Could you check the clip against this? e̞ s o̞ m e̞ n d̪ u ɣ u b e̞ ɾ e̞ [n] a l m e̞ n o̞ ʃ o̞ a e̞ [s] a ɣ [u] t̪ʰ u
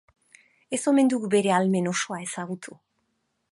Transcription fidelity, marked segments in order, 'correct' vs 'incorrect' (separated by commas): incorrect, correct, correct